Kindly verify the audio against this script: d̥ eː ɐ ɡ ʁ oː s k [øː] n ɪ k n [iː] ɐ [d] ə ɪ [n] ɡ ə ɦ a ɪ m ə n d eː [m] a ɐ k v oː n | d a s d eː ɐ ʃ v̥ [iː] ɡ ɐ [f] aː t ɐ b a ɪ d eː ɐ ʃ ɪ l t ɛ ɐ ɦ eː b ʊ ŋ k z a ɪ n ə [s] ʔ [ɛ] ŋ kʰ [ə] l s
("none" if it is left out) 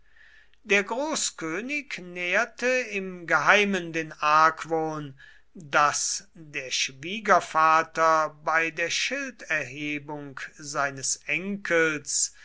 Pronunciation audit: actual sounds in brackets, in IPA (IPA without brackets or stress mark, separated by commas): øː, ɛː, t, m, n, iː, f, s, ɛ, ə